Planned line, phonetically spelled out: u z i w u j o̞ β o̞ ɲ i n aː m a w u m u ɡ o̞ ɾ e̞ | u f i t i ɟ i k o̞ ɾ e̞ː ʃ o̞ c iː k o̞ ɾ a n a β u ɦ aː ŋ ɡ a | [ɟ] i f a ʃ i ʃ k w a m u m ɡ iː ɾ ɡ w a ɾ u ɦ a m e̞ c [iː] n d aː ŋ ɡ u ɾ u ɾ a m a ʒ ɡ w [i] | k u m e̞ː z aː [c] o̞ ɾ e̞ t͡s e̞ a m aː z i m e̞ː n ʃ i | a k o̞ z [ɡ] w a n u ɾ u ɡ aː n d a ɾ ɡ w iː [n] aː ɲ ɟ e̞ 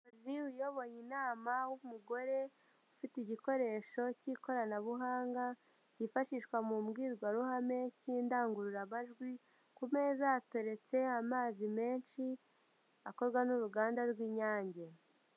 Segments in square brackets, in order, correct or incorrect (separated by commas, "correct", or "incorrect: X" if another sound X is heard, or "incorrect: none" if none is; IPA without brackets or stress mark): incorrect: c, correct, correct, incorrect: t, correct, incorrect: ɲ